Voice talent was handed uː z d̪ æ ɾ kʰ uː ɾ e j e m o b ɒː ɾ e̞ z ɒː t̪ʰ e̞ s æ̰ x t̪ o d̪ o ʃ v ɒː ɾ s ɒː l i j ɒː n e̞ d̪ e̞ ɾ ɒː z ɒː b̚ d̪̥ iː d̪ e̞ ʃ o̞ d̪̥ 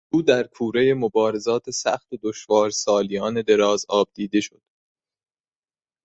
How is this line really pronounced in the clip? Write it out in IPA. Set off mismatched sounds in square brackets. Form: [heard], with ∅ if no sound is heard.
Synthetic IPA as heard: uː [∅] d̪ æ ɾ kʰ uː ɾ e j e m o b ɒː ɾ e̞ z ɒː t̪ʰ e̞ s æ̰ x t̪ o d̪ o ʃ v ɒː ɾ s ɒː l i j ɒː n e̞ d̪ e̞ ɾ ɒː z ɒː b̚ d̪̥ iː d̪ e̞ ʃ o̞ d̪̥